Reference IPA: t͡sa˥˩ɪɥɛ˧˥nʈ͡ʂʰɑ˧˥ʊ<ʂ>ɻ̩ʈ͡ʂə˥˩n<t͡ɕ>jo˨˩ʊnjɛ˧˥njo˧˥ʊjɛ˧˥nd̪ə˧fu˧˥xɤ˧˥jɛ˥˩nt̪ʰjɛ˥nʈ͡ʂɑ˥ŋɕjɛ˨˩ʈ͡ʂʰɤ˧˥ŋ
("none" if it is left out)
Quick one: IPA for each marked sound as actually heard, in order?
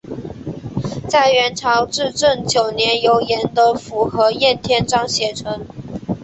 ʈ͡ʂ, t͡ɕ

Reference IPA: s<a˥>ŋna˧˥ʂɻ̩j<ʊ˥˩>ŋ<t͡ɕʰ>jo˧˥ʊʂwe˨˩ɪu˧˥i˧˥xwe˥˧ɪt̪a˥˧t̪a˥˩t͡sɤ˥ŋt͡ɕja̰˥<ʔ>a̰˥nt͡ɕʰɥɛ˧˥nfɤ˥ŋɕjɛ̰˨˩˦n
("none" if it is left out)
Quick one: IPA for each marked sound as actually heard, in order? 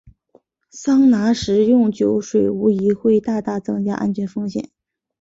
ɑ˥, ʊ˥˩, t͡ɕ, ʔ

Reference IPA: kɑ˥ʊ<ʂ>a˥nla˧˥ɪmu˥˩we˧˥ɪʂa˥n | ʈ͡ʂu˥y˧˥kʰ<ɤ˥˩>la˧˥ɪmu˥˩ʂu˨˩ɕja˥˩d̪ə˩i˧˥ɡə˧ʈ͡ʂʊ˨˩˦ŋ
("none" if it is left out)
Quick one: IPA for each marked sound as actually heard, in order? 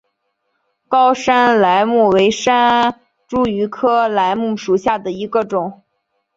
ʂ, ɤ˥

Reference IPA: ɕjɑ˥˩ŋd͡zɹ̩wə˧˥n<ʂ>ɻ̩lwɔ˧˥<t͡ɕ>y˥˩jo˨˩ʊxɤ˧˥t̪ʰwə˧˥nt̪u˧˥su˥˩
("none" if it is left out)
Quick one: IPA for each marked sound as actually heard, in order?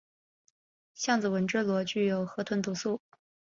ʈ͡ʂ, t͡ɕ

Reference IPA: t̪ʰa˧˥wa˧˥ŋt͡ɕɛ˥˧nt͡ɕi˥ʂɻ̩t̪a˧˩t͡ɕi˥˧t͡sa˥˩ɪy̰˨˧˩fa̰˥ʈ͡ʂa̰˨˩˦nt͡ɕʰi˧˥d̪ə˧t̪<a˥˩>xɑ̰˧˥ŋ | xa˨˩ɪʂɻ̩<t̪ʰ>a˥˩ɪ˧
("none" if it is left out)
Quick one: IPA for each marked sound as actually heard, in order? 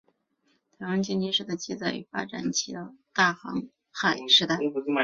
a˥˩, t̪

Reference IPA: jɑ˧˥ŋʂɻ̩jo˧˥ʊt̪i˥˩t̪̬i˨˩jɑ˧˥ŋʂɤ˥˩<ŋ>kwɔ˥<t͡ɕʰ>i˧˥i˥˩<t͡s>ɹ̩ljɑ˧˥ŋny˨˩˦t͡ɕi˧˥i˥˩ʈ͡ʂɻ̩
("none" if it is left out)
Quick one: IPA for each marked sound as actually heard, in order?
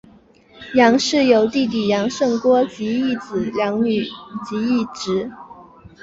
ŋ, t͡ɕ, t͡s

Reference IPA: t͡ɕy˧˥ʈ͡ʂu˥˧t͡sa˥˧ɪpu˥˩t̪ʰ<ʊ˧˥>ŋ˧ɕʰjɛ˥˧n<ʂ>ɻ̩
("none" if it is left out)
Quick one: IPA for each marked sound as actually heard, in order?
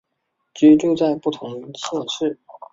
ʊ˧˥, ʂ

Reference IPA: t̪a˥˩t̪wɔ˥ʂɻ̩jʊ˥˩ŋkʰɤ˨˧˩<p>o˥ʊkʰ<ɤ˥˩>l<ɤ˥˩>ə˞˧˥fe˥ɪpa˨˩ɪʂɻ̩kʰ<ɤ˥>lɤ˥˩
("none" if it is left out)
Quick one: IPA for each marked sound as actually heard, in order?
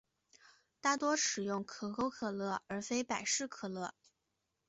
k, ɤ˨˩, ɤ˥˩, ɤ˨˩

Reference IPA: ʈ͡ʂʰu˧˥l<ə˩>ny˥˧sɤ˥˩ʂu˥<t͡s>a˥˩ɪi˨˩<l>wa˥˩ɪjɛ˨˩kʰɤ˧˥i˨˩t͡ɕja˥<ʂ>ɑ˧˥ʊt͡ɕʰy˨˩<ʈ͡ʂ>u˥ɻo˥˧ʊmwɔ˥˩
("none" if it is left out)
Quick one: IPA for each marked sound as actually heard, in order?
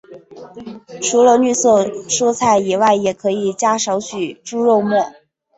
ə˧, t͡sʰ, none, ʂ, ʈ͡ʂ

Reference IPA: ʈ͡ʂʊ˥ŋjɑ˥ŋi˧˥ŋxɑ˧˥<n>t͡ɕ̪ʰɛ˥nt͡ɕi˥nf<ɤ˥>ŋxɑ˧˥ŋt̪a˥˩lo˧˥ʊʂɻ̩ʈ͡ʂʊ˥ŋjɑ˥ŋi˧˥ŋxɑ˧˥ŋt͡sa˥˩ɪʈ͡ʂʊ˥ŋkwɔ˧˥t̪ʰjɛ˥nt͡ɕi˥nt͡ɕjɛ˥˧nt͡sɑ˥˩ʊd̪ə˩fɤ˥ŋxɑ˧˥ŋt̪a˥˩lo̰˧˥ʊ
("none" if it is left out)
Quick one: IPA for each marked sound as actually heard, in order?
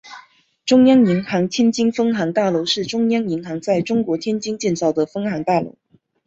ŋ, ɤ˥

